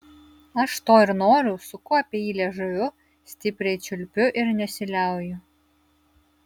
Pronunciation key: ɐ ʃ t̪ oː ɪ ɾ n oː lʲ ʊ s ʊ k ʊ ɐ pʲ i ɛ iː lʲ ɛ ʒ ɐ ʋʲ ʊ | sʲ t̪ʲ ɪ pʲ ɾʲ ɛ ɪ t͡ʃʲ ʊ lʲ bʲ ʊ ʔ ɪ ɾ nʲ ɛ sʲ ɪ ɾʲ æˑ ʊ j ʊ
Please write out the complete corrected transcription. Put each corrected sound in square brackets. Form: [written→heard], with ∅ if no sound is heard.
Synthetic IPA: ɐ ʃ t̪ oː ɪ ɾ n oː [lʲ→ɾʲ] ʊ s ʊ k ʊ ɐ pʲ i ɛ iː lʲ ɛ ʒ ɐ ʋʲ ʊ | sʲ t̪ʲ ɪ pʲ ɾʲ ɛ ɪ t͡ʃʲ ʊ lʲ [bʲ→pʲ] ʊ ʔ ɪ ɾ nʲ ɛ sʲ ɪ [ɾʲ→lʲ] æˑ ʊ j ʊ